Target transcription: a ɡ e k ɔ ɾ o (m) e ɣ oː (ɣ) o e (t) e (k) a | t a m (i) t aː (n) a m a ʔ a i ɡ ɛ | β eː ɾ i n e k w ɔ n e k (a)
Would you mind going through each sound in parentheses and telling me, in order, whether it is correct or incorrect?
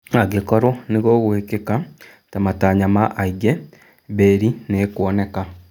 incorrect, correct, incorrect, correct, incorrect, incorrect, correct

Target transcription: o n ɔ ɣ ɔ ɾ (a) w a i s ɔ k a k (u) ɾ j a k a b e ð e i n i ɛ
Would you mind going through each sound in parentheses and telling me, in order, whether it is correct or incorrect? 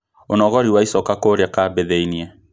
incorrect, incorrect

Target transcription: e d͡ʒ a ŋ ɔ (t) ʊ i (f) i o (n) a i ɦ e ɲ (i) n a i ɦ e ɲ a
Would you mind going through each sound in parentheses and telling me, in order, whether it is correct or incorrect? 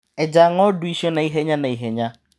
incorrect, incorrect, correct, incorrect

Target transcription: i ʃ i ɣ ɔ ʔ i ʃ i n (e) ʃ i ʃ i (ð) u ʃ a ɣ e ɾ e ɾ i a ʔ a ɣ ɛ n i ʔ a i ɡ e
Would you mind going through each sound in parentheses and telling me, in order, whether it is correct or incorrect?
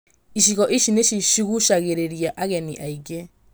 correct, incorrect

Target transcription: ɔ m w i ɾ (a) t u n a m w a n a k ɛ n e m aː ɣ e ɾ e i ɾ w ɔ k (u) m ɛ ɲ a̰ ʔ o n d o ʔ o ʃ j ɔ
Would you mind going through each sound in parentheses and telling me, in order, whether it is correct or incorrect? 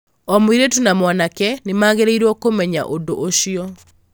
incorrect, incorrect

